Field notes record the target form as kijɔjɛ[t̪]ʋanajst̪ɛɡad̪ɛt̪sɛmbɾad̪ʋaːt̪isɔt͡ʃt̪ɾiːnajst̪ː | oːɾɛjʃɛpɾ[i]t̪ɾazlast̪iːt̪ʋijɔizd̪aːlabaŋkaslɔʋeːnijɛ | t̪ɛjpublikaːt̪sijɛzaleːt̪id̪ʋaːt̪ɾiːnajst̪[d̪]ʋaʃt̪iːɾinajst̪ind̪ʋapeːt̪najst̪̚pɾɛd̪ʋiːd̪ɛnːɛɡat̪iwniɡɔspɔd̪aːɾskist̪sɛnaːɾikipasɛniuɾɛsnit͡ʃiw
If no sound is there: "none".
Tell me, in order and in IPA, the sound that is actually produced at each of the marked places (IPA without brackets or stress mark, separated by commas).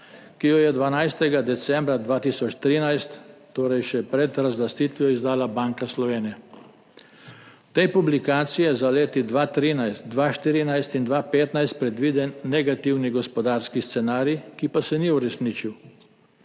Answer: d̪, ɛ, d̪